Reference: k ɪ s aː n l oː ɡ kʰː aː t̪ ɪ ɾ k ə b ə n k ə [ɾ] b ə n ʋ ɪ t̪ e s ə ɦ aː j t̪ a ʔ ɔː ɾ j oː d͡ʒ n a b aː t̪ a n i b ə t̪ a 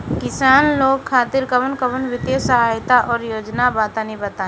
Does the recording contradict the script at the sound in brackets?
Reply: yes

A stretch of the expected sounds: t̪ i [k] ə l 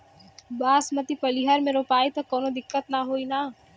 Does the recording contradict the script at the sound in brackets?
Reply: yes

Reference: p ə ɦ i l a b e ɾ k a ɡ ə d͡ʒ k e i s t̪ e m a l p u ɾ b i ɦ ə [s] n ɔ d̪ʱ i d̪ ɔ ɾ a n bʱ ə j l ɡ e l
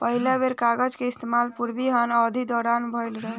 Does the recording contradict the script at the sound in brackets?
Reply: yes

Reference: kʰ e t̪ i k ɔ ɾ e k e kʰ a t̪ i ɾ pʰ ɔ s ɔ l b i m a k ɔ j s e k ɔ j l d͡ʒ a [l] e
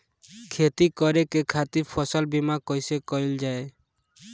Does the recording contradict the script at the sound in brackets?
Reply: yes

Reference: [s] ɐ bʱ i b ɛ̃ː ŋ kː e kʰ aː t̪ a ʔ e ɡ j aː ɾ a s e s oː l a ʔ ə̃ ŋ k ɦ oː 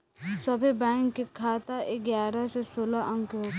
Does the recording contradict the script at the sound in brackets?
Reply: no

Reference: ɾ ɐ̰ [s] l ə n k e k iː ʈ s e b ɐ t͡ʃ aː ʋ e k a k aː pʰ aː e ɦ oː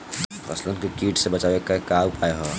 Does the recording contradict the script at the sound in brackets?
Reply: no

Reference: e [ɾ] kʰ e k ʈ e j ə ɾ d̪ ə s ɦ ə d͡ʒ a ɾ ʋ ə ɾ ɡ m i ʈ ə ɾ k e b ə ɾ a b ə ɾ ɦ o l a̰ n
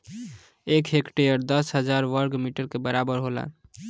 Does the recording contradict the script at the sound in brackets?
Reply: yes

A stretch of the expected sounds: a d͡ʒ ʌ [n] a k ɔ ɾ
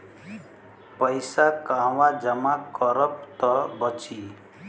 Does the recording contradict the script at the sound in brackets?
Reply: yes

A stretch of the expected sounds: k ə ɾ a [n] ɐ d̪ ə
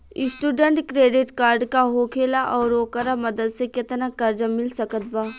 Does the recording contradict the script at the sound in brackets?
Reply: yes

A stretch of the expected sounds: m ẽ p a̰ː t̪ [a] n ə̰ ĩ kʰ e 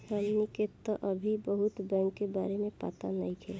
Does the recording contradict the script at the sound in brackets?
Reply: no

